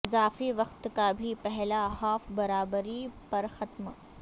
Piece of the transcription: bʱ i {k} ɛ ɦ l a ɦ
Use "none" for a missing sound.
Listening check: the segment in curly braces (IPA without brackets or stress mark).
p